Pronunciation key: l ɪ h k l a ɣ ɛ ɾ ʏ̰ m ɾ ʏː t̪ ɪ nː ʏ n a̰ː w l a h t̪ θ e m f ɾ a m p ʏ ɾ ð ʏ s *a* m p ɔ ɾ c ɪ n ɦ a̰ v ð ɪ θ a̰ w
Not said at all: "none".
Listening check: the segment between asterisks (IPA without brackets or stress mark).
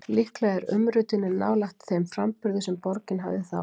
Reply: ɛ